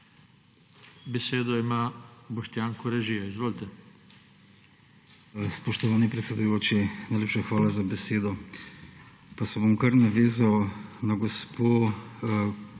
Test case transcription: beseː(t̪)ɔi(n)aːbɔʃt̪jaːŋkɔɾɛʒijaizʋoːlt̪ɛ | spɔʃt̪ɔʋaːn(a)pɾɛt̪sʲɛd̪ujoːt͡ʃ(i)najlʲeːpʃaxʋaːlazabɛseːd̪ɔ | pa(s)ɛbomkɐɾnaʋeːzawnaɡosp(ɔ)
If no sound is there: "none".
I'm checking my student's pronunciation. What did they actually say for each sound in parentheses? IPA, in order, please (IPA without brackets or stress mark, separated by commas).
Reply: d̪, m, i, i, s, o